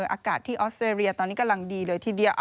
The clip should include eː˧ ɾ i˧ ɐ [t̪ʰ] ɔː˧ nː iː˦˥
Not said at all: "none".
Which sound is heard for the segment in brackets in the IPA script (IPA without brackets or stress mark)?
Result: t̪